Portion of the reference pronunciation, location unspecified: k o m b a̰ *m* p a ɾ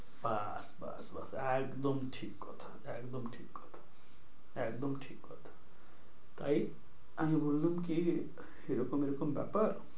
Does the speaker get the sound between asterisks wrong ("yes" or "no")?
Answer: yes